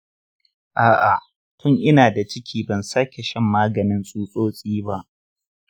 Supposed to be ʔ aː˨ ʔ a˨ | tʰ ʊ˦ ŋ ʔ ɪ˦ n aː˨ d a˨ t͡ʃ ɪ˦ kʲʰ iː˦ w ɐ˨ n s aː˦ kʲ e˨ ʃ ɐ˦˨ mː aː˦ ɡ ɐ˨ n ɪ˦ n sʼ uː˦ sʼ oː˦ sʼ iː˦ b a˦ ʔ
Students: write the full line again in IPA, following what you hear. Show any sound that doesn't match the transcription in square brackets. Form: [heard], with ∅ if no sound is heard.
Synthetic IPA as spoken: ʔ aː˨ ʔ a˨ | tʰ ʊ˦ ŋ ʔ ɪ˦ n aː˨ d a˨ t͡ʃ ɪ˦ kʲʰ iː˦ [b] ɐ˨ n s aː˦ kʲ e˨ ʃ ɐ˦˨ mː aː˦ ɡ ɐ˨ n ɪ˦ n sʼ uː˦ sʼ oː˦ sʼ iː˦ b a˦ ʔ